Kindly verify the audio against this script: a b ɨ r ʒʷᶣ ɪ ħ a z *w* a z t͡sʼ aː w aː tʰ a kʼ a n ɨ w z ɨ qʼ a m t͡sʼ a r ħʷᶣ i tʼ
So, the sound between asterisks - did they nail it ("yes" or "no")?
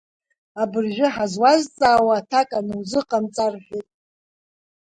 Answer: yes